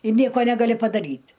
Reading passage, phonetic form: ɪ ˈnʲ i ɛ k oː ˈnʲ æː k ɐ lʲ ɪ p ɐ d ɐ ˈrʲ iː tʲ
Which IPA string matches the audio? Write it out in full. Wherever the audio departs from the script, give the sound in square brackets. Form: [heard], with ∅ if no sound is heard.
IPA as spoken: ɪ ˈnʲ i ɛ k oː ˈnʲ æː [ɡ] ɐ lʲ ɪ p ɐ d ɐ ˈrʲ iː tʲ